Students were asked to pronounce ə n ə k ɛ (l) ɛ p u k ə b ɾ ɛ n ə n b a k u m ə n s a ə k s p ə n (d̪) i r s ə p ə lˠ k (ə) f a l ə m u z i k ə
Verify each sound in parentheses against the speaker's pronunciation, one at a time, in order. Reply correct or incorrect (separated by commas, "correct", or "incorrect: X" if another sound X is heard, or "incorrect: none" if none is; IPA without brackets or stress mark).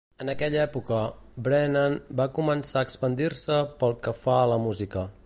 incorrect: ʎ, correct, correct